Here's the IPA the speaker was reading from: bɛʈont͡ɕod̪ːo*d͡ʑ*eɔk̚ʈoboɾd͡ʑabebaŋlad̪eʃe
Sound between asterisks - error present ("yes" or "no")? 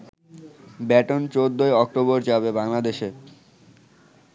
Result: yes